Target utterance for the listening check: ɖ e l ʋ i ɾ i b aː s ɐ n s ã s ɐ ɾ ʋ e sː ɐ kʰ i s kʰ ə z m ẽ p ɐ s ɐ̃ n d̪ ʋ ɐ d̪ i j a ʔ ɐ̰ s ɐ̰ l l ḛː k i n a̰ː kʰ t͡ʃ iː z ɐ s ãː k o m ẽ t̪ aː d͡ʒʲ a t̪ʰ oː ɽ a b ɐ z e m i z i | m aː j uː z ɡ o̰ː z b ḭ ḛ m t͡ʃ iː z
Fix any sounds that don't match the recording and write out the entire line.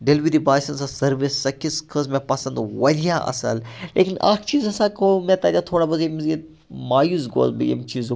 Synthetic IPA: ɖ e l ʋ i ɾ i b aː s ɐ n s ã s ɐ ɾ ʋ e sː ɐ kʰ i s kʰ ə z m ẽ p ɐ s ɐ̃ n d̪ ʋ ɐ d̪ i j a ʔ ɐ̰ s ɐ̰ l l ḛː k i n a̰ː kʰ t͡ʃ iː z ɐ s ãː k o m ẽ t̪ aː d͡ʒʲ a t̪ʰ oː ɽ a b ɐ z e m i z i | m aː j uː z ɡ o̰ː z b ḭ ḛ m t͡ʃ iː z